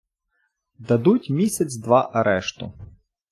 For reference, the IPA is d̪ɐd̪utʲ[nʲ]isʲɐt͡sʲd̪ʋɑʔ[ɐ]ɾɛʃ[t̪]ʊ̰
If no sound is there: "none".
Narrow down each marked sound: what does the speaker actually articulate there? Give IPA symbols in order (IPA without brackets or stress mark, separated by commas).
mʲ, ɐ, t̪